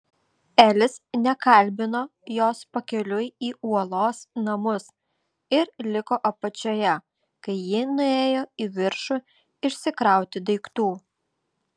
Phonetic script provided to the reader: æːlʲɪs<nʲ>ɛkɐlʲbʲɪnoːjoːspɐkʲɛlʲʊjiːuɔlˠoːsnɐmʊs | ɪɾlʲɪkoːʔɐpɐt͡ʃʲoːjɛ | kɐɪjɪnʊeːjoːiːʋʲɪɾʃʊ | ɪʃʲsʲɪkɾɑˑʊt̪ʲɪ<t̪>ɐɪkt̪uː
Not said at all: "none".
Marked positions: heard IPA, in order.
nʲ, d̪

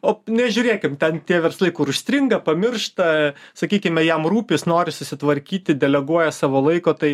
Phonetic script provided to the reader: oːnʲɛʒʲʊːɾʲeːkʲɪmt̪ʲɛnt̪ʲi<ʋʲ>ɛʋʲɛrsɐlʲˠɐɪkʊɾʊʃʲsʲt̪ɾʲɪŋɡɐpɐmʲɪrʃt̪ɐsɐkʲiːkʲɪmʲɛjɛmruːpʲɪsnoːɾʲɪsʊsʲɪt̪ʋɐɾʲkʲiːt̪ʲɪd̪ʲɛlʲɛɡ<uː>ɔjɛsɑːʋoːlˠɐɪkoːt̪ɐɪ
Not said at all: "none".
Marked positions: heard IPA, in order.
none, u

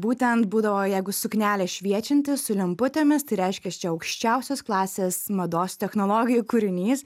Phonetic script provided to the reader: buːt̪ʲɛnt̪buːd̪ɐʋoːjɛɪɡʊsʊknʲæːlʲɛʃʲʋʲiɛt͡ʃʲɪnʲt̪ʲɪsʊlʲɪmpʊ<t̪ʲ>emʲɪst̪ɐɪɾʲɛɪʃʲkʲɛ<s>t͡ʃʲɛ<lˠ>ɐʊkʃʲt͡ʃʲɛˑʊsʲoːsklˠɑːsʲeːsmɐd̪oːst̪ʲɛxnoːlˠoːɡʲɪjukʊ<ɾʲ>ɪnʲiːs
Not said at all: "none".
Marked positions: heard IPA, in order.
t̪ʲ, s, none, ɾʲ

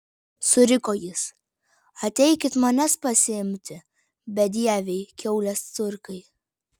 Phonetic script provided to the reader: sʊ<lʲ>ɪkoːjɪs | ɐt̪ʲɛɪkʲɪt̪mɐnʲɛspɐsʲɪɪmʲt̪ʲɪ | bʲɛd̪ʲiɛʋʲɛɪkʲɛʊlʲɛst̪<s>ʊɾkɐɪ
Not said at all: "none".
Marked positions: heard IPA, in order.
ɾʲ, s

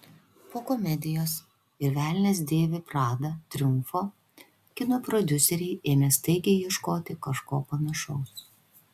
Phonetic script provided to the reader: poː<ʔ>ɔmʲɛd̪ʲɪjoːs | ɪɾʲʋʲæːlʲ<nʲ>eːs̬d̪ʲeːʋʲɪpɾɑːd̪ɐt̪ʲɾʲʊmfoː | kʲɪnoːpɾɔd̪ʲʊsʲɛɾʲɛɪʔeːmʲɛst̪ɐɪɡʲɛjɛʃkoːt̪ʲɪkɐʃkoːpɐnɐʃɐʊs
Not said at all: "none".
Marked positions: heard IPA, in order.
k, nʲ

